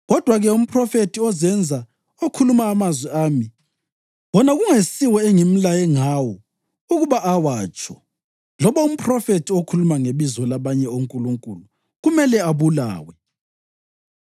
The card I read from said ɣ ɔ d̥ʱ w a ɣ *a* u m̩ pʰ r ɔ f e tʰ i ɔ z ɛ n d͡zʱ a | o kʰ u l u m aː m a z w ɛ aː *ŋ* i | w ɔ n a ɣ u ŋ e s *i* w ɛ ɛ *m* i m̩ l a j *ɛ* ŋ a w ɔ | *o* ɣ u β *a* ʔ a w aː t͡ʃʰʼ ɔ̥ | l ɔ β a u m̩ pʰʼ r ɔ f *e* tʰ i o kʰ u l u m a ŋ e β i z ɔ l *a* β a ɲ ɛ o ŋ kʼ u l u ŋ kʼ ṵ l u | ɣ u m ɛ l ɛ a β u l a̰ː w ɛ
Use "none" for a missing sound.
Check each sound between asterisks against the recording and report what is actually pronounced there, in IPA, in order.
ɛ, m, i, ŋ, ɛ, u, a, e, a

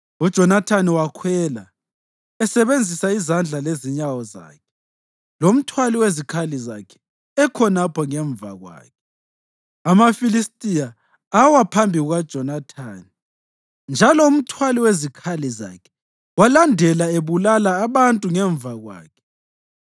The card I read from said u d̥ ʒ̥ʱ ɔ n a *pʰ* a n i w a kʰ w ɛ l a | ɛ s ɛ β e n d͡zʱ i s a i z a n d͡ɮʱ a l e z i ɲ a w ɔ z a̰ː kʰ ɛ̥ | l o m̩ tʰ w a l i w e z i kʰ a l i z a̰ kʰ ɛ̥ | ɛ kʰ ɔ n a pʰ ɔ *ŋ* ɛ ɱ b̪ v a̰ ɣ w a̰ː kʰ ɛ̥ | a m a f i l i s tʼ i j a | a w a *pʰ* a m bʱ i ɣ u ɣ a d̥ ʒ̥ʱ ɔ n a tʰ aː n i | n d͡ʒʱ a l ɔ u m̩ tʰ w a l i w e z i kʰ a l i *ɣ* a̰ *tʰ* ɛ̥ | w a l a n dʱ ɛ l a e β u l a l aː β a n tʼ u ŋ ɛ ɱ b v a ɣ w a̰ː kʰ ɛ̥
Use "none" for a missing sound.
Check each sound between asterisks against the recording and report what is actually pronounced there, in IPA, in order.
tʰ, ŋ, pʰ, z, kʰ

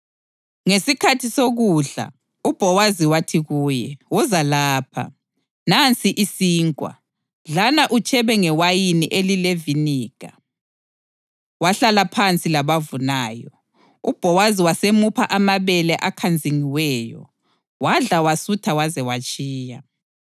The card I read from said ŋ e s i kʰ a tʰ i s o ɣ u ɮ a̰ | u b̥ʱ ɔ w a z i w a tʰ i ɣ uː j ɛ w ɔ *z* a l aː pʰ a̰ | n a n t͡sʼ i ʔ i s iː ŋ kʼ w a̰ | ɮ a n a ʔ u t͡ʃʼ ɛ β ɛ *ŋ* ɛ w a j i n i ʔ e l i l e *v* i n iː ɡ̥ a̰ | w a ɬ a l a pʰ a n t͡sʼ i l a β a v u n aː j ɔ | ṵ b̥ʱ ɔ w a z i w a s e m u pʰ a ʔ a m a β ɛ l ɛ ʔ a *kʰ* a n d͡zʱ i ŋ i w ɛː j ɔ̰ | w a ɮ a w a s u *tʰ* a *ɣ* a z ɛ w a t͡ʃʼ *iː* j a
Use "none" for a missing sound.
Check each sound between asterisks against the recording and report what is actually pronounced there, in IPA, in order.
z, ŋ, v, kʰ, tʰ, w, iː

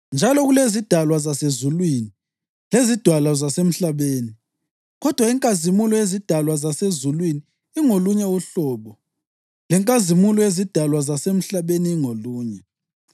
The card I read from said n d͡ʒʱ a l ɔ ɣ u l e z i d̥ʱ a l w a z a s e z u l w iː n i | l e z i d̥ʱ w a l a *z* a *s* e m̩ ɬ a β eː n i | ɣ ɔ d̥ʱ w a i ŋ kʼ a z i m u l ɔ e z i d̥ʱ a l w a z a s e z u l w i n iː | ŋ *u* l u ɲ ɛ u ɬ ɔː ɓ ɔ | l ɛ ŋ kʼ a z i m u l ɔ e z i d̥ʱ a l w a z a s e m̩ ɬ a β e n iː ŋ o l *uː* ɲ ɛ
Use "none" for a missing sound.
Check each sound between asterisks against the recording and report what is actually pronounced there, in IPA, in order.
z, s, o, uː

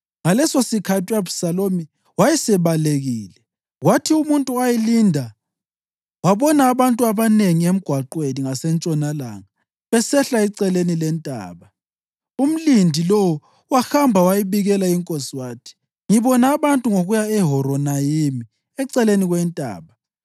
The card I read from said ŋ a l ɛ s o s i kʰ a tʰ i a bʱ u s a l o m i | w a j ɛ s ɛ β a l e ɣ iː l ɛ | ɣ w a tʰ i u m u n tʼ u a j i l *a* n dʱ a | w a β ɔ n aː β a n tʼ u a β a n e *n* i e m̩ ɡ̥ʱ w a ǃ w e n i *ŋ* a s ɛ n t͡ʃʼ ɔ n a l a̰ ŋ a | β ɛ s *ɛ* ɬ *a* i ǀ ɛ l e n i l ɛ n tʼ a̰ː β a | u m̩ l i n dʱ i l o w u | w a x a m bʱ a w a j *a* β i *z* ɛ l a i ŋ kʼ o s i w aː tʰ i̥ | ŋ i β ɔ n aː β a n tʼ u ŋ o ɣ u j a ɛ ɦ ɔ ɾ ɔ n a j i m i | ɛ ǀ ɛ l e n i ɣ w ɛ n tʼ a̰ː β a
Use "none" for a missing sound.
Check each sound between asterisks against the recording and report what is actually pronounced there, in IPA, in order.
i, ŋ, ŋ, ɛ, a, i, ɣ

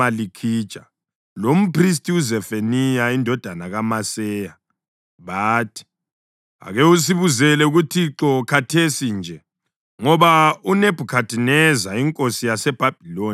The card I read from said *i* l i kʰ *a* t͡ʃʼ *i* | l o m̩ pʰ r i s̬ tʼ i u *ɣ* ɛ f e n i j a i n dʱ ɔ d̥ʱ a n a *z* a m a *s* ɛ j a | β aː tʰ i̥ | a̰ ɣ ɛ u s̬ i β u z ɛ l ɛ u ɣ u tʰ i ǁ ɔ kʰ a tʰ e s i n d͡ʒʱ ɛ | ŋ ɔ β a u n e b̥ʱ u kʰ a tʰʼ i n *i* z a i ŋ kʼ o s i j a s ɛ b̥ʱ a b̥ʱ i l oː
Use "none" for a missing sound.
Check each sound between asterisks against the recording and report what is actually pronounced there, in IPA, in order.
a, i, a, z, ɣ, s, ɛ

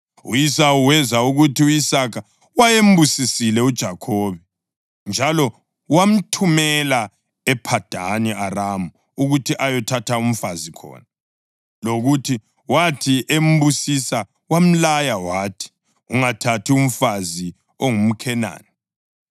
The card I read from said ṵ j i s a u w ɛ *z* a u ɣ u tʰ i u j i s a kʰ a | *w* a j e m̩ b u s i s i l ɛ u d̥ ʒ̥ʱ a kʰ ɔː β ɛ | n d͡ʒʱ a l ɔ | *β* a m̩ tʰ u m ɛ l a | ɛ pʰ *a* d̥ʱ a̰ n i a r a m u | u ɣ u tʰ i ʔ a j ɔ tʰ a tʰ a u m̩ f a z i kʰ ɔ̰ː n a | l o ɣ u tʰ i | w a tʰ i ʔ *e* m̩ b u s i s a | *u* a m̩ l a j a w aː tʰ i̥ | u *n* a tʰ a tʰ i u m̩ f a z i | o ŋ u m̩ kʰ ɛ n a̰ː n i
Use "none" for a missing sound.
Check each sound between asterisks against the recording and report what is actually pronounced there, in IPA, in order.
z, w, w, a, e, w, ŋ

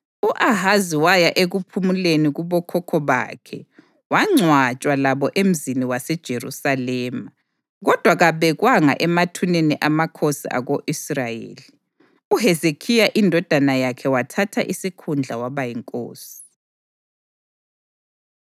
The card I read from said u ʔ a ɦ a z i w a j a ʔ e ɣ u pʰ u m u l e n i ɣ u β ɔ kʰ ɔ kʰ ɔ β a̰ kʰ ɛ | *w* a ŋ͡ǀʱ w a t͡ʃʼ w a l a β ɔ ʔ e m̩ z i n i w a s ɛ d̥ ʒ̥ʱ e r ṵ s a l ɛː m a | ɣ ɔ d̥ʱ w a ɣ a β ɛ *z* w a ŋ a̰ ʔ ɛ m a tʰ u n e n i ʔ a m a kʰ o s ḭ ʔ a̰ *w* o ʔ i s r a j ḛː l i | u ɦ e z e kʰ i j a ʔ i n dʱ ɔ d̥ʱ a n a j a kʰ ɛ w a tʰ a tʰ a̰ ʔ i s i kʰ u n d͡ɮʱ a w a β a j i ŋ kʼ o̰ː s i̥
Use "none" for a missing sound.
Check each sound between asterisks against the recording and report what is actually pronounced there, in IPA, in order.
w, ɣ, ɣ

